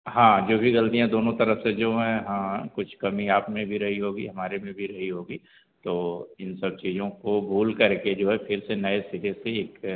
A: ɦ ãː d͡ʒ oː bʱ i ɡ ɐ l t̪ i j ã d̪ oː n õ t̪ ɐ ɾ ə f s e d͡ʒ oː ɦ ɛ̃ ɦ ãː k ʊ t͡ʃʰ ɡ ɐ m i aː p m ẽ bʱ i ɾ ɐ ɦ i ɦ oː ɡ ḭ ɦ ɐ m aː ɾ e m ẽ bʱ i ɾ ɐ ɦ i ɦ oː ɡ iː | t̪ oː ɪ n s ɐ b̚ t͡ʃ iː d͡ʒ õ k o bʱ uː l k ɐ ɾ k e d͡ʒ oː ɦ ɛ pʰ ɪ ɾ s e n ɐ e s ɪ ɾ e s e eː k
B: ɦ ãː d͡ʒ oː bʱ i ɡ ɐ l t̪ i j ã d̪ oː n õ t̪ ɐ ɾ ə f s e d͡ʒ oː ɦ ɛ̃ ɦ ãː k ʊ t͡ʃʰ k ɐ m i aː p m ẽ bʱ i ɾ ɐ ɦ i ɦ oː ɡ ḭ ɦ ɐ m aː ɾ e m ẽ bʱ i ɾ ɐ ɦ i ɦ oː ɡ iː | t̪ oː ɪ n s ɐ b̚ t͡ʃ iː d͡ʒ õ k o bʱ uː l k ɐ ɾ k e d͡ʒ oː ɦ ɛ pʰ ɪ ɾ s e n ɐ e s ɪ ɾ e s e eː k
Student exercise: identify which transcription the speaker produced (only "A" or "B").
B